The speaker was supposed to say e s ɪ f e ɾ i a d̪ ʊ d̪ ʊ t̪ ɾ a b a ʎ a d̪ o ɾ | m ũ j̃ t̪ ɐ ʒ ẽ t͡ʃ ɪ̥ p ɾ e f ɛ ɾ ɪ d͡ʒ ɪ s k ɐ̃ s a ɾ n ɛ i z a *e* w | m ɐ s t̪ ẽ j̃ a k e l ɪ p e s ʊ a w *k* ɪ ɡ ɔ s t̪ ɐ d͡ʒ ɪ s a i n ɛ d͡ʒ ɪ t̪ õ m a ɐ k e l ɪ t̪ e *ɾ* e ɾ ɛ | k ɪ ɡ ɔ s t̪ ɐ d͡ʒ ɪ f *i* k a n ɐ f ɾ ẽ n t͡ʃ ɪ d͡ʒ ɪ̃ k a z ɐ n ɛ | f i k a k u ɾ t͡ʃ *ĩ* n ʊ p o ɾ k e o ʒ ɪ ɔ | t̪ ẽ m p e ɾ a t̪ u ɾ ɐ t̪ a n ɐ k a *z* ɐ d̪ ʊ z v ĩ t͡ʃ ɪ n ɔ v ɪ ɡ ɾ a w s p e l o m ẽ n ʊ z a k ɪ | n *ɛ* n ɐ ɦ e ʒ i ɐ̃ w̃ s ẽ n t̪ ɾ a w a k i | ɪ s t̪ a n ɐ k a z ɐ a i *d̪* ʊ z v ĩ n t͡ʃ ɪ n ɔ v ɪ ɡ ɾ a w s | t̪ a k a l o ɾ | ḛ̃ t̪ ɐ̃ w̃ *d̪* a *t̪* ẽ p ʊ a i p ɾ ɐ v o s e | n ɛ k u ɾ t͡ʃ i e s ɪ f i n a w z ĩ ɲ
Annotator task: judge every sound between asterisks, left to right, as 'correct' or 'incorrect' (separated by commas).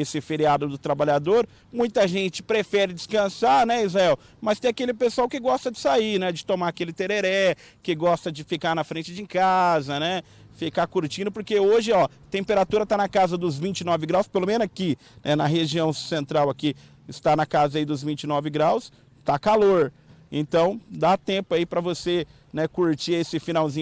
incorrect, correct, correct, correct, correct, correct, correct, correct, correct, correct